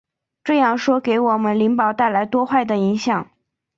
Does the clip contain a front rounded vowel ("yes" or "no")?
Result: no